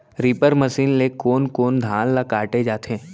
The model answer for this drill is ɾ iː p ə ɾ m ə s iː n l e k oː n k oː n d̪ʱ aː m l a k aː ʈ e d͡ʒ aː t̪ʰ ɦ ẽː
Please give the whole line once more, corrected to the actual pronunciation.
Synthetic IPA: ɾ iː p ə ɾ m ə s iː n l e k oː n k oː n d̪ʱ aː n l a k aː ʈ e d͡ʒ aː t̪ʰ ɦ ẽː